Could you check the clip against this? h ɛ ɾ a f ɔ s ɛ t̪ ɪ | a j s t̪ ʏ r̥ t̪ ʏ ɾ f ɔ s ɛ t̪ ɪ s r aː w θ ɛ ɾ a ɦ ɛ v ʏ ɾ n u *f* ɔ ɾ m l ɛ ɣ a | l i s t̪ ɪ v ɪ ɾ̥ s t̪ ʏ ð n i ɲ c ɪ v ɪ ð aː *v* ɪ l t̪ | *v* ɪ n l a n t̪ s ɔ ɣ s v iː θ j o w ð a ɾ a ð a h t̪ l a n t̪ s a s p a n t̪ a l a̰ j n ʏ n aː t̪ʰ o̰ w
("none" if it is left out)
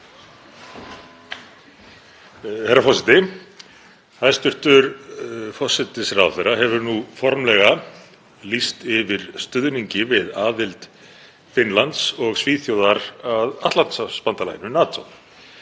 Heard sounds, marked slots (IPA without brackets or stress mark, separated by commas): f, ð, f